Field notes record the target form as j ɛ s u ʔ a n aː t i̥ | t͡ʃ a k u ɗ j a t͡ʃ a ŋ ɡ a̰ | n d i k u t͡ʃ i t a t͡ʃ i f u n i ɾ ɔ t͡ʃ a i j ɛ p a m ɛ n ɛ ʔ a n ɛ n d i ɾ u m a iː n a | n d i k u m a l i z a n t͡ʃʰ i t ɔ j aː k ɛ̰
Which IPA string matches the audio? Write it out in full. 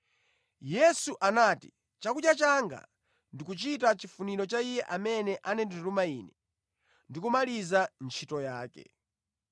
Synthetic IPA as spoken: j ɛ s u ʔ a n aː t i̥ | t͡ʃ a k u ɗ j a t͡ʃ a ŋ ɡ a̰ | n d i k u t͡ʃ i t a t͡ʃ i f u n i ɾ ɔ t͡ʃ a i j ɛ ʔ a m ɛ n ɛ ʔ a n ɛ n d i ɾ u m a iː n ɛ | n d i k u m a l i z a n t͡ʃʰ i t ɔ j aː k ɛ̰